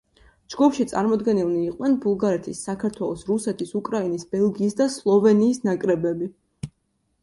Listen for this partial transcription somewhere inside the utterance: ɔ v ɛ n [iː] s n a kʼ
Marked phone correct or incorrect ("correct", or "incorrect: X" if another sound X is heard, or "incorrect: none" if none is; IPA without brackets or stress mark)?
correct